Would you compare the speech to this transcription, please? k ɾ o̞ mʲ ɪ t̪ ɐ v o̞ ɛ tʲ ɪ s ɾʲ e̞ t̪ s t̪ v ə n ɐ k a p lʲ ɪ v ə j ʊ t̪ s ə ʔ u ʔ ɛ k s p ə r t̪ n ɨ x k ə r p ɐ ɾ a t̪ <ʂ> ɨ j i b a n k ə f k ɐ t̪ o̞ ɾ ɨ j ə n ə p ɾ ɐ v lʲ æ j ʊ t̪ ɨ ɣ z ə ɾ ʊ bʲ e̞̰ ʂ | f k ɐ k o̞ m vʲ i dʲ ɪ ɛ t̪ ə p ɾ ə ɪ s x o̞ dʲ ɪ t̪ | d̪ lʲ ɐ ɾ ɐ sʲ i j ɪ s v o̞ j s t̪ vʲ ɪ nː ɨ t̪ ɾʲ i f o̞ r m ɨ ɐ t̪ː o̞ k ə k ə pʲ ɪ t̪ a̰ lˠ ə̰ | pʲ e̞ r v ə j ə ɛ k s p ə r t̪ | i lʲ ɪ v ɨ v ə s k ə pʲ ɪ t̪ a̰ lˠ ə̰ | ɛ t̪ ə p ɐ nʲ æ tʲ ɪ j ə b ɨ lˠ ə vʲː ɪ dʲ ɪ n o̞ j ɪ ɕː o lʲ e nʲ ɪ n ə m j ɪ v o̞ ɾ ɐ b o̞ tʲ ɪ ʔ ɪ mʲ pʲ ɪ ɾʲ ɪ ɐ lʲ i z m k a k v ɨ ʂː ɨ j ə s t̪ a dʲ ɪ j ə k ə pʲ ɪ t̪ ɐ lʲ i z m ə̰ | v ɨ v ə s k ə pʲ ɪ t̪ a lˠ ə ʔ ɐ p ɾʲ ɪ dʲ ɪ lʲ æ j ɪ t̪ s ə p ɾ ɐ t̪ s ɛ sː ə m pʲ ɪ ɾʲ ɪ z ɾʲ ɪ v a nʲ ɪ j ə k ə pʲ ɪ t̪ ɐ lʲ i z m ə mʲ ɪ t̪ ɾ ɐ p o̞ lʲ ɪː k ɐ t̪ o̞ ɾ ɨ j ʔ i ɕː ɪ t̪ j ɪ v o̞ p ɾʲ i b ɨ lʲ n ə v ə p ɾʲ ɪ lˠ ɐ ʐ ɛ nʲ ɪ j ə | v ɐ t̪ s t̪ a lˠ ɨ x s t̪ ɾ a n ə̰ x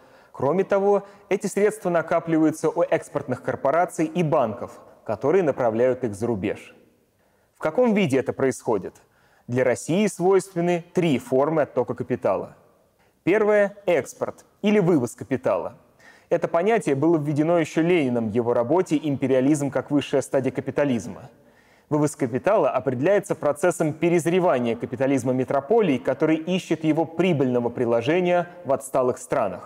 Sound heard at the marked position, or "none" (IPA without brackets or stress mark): s